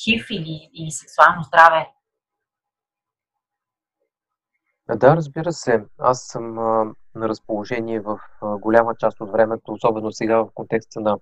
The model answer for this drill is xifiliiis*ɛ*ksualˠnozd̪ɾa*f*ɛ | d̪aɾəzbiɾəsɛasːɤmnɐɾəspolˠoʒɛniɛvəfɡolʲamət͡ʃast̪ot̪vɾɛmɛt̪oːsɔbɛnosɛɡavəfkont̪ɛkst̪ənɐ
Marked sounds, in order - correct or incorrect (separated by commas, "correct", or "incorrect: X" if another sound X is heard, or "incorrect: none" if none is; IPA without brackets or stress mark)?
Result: correct, incorrect: v